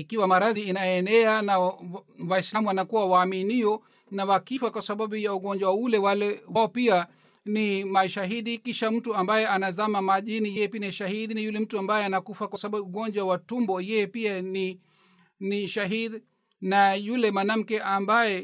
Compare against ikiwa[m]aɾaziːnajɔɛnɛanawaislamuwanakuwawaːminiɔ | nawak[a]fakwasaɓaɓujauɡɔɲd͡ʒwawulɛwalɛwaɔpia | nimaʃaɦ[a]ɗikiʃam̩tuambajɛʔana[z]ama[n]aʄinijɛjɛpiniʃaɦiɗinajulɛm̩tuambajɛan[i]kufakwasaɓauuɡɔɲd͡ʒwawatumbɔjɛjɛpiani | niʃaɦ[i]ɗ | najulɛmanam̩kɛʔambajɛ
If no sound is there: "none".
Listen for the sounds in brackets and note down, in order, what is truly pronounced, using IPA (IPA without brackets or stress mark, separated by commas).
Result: m, i, i, z, m, a, i